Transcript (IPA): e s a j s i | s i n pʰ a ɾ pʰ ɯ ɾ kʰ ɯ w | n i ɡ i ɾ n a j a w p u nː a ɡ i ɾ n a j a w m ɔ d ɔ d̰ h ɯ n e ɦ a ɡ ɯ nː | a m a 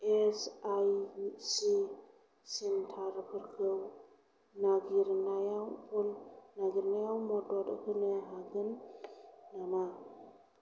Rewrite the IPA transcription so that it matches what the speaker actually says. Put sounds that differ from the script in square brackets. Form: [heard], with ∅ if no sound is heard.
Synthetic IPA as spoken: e s a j s i | s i n [tʰ] a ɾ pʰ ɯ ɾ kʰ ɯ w | n [a] ɡ i ɾ n a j a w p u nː a ɡ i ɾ n a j a w m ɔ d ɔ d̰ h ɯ n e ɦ a ɡ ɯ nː | a m a